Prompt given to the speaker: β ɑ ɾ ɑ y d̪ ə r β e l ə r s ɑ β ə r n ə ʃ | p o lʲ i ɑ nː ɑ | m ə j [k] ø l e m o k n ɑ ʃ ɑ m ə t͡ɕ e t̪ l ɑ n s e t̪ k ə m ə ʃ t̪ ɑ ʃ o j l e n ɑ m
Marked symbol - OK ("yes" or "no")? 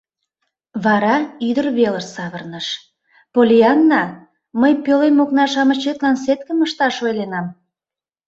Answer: no